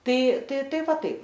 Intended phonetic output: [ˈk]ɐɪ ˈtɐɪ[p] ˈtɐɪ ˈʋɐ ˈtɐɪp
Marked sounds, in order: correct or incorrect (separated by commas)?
incorrect, incorrect